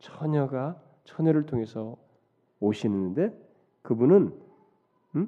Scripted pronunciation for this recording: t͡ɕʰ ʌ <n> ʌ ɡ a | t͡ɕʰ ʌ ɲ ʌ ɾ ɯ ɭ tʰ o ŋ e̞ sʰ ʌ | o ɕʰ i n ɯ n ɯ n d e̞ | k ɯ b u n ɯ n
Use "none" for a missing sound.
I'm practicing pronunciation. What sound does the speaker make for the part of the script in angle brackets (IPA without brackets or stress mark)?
ɲ